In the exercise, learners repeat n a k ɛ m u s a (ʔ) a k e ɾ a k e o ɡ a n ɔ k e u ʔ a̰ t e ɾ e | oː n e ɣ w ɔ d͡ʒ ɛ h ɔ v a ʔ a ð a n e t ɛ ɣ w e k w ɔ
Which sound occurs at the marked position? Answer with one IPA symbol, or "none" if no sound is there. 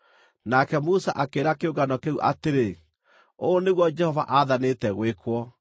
ʔ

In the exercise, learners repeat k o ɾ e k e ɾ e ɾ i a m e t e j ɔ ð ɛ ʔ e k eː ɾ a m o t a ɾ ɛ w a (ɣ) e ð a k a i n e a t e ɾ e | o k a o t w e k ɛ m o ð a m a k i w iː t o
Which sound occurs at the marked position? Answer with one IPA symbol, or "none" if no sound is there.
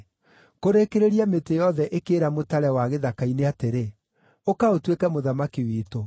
ɣ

